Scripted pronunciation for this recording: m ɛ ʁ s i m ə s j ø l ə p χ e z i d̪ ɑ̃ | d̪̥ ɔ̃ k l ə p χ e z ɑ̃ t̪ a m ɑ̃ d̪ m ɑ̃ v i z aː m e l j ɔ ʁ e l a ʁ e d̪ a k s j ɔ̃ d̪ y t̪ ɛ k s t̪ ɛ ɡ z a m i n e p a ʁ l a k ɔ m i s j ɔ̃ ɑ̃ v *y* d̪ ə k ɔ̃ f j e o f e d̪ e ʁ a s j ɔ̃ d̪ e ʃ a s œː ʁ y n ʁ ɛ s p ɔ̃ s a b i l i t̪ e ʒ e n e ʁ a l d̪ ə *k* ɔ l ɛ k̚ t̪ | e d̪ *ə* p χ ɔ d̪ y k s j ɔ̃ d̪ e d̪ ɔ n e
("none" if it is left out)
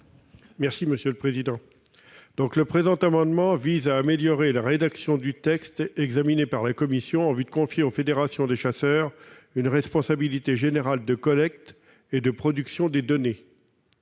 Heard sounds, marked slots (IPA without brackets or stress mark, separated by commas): y, k, ə